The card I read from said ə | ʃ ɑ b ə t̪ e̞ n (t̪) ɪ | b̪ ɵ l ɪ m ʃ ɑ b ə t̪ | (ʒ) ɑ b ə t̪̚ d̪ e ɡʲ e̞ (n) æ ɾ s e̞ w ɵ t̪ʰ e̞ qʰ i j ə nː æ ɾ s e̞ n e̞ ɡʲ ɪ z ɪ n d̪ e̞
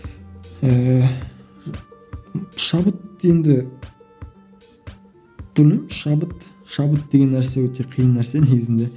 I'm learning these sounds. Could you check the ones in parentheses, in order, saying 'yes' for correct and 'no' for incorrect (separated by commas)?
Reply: no, no, no